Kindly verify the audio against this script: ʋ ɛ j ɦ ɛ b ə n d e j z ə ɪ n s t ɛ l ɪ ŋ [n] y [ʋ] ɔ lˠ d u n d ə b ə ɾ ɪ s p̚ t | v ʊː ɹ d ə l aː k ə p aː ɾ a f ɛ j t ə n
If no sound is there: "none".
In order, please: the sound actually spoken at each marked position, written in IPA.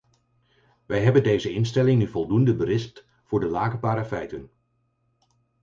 n, v

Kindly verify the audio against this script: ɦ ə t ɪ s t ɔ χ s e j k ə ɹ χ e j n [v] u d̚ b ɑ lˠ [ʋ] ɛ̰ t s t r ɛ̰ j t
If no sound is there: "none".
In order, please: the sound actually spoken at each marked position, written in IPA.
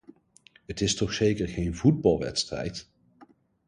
v, ʋ

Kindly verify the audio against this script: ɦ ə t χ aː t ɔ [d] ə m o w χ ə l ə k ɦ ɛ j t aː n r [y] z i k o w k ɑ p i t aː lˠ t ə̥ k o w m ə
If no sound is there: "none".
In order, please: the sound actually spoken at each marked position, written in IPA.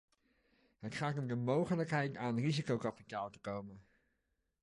d, i

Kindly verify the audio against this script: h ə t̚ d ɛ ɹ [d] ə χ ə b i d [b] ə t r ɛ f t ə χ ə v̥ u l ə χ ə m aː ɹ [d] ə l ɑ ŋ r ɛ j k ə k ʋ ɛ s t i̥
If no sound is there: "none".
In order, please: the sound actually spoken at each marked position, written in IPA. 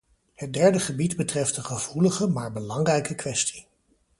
d, b, b

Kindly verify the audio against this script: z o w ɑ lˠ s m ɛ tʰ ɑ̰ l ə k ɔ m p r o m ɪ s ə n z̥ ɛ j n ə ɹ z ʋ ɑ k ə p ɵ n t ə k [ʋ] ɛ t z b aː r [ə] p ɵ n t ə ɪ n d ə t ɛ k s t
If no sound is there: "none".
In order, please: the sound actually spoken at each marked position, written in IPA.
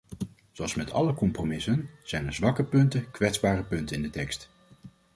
ʋ, ə

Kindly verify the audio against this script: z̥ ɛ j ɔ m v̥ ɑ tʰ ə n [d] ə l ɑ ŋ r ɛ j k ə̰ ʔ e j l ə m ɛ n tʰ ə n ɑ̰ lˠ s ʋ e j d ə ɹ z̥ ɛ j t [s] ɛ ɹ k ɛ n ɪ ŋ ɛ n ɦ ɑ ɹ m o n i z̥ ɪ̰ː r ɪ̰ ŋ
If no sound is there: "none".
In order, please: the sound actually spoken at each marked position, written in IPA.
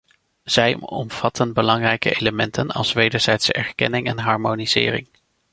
b, s

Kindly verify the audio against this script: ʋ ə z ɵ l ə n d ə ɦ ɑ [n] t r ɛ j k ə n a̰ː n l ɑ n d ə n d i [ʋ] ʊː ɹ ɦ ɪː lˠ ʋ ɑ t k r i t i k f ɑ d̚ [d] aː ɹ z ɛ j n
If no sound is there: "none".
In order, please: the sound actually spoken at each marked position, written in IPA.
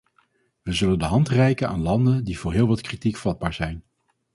n, v, b

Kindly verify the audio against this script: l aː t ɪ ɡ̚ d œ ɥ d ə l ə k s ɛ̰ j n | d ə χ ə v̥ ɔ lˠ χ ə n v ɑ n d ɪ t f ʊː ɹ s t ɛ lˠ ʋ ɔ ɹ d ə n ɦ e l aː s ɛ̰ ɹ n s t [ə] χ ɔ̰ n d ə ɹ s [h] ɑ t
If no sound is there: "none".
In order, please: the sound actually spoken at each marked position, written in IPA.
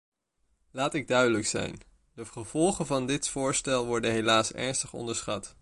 ə, χ

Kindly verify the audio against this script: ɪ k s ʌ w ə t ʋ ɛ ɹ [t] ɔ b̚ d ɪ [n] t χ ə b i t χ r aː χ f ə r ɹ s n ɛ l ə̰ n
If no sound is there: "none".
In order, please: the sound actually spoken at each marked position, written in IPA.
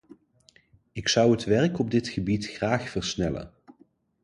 k, none

